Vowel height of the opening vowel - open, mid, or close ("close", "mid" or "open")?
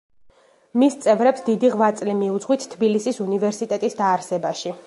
close